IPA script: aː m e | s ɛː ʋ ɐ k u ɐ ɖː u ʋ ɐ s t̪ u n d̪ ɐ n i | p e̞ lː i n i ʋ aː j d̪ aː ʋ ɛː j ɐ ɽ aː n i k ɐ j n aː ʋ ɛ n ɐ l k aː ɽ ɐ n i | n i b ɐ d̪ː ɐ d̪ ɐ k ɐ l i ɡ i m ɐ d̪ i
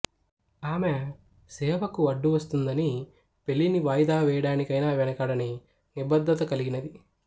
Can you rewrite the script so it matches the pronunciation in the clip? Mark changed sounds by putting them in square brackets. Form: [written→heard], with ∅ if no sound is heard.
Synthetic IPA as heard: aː m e | s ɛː ʋ ɐ k u ɐ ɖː u ʋ ɐ s t̪ u n d̪ ɐ n i | p e̞ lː i n i ʋ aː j d̪ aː ʋ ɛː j ɐ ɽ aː n i k ɐ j n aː ʋ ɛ n ɐ [l→∅] k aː ɽ ɐ n i | n i b ɐ d̪ː ɐ [d̪→t̪] ɐ k ɐ l i ɡ i [m→n] ɐ d̪ i